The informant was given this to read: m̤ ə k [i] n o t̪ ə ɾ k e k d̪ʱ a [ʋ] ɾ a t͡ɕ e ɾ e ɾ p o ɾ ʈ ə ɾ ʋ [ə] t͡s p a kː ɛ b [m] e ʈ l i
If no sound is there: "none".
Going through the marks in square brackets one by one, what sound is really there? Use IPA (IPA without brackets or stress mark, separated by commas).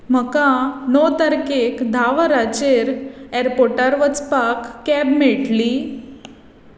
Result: a, ʋ, ə, m